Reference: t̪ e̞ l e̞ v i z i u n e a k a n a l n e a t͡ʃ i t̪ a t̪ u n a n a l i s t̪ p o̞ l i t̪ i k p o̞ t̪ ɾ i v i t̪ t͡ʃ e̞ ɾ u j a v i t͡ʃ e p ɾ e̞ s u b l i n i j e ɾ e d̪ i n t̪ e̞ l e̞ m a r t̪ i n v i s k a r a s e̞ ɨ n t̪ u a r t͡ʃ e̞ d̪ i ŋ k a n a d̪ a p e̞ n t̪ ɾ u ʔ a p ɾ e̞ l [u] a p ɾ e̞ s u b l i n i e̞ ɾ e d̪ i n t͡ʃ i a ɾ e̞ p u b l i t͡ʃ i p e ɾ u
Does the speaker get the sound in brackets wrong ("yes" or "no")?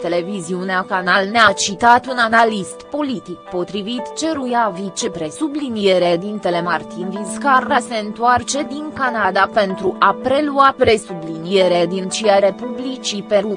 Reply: no